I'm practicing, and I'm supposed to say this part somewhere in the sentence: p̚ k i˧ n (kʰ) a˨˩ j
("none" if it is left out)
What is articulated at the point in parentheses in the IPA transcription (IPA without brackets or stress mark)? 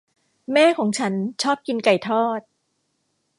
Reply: k